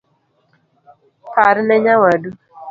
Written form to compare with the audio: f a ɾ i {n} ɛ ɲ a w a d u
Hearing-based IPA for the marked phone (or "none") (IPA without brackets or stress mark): n